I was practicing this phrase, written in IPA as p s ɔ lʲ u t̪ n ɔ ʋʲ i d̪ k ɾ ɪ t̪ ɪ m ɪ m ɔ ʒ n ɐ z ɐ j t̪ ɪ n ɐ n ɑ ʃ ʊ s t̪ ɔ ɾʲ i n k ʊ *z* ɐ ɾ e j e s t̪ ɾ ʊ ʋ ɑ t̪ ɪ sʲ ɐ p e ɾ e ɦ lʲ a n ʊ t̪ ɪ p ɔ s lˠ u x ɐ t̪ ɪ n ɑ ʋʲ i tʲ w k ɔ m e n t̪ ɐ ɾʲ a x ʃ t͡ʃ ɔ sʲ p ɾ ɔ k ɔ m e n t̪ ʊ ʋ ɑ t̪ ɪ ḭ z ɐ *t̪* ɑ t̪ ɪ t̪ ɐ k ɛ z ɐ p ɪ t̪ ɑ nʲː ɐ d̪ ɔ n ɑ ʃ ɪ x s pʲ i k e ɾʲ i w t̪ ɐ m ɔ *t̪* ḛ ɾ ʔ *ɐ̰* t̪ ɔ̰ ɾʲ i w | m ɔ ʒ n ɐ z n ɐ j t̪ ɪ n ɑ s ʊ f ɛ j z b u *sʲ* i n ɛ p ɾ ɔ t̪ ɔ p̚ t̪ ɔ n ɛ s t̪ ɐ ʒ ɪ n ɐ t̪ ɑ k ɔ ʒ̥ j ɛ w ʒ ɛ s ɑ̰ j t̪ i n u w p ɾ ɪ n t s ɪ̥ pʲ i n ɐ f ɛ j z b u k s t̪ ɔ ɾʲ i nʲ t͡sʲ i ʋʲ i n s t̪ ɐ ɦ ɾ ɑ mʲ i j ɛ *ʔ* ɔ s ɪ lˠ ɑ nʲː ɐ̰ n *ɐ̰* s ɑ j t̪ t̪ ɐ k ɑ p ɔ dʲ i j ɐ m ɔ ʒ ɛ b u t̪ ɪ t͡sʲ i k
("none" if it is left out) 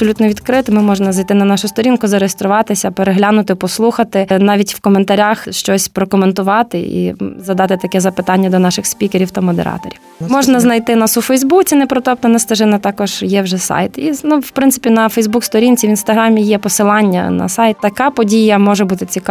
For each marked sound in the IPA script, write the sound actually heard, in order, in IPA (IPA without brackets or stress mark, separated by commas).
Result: z, d̪, d̪, ɑ̰, t͡sʲ, p, ɐ̰